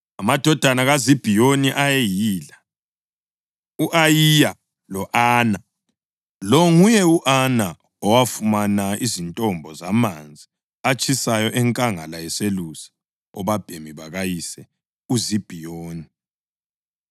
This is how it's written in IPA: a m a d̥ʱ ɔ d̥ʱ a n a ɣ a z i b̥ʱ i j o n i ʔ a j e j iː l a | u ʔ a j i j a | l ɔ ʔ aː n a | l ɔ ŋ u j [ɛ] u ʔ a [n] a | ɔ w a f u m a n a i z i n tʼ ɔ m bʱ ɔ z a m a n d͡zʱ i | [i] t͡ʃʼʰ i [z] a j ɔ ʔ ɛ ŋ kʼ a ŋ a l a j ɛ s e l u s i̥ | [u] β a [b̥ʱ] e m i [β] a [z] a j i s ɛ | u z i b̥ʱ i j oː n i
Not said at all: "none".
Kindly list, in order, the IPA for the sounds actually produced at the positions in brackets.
ɛ, n, a, s, ɔ, b̥ʱ, β, ɣ

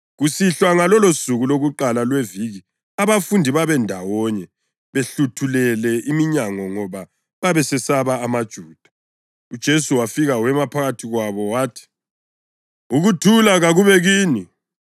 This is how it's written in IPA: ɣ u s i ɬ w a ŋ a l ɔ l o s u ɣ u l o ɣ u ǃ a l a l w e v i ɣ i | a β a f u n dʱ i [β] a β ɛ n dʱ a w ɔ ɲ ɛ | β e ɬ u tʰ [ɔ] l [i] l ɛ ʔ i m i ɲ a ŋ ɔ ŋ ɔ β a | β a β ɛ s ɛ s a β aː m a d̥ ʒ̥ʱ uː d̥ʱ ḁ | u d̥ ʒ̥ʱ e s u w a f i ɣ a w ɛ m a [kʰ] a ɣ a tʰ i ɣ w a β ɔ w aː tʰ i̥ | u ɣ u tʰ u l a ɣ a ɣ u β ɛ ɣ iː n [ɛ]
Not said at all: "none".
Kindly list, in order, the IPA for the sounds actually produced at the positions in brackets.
β, u, ɛ, pʰ, i

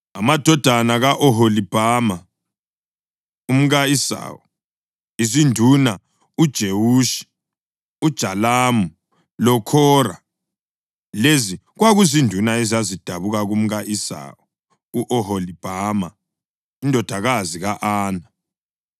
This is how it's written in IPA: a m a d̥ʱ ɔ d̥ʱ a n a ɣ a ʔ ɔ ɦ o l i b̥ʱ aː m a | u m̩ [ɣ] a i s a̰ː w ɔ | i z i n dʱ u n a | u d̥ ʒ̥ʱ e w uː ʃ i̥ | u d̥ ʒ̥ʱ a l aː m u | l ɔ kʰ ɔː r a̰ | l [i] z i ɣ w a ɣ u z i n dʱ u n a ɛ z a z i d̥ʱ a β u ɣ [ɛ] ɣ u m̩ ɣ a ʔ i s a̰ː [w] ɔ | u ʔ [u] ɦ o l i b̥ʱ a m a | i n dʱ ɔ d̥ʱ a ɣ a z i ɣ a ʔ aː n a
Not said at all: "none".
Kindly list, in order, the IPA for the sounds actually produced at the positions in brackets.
ɣ, e, a, w, ɔ

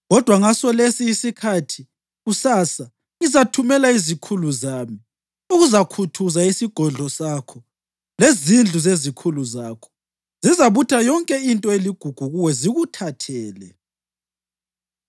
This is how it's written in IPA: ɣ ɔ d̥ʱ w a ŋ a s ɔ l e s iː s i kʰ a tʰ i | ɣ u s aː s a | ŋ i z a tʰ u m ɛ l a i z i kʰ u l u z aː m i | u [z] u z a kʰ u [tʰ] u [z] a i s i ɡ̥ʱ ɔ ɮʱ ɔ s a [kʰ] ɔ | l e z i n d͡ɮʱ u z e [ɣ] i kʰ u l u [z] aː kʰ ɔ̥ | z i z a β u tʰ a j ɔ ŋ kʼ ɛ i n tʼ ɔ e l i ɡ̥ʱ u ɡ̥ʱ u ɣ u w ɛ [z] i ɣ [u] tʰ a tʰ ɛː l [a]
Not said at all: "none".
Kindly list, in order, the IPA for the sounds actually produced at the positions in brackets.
ɣ, tʰ, z, kʰ, z, z, z, u, ɛ

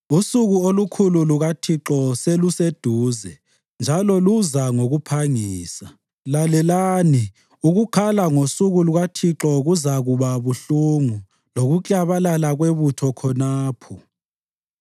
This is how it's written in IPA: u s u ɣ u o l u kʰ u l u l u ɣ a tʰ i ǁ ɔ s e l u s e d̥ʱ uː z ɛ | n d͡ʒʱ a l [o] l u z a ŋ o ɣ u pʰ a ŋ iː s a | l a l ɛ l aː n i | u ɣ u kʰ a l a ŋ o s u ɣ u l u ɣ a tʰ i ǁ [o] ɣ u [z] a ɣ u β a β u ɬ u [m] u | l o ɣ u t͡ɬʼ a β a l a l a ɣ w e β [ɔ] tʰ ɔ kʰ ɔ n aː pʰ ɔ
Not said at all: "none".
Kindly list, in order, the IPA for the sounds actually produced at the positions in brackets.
ɔ, ɔ, z, ŋ, u

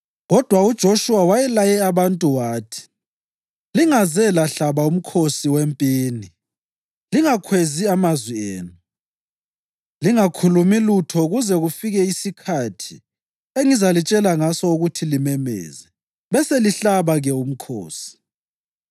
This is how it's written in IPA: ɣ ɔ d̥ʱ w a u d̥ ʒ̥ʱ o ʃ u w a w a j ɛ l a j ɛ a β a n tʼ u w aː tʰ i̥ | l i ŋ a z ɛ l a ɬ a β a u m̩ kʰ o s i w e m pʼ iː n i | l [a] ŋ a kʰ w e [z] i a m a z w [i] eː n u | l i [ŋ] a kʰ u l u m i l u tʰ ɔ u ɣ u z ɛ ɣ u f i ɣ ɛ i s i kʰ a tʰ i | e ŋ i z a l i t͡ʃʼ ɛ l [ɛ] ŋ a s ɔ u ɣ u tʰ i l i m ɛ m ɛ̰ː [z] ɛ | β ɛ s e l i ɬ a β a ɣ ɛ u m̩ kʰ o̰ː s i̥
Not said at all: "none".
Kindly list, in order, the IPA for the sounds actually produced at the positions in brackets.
i, z, i, ŋ, a, z

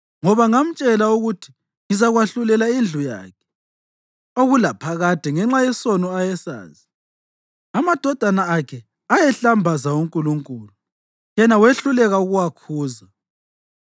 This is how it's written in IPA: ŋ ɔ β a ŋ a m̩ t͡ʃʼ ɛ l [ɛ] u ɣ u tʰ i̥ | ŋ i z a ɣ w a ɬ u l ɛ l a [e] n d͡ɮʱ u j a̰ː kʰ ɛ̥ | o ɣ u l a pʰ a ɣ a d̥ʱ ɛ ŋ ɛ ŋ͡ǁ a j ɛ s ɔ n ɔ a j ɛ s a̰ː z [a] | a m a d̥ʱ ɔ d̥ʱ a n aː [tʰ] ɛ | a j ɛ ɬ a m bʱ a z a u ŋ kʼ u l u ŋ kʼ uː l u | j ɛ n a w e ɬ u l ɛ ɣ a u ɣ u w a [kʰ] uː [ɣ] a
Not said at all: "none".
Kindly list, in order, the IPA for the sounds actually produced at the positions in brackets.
a, i, i, kʰ, kʰ, z

